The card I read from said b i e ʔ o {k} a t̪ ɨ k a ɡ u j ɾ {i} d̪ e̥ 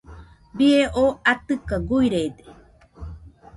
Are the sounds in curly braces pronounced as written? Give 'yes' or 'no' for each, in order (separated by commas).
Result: no, no